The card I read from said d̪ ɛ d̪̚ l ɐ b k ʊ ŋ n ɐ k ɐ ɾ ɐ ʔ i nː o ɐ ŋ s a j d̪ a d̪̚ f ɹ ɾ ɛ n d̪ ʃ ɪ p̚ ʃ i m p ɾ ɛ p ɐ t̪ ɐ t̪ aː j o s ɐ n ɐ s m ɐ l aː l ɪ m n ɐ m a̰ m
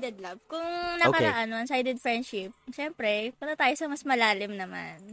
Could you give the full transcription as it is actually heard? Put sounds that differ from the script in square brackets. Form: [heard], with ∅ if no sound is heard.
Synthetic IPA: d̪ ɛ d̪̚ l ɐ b k ʊ ŋ n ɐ k ɐ ɾ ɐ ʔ [a] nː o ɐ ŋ s a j d̪ [ɛ] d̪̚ f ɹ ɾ ɛ n d̪ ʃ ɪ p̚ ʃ [ɛ] m p ɾ ɛ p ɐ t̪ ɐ t̪ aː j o s ɐ [m] ɐ s m ɐ l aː l ɪ m n ɐ m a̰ [n]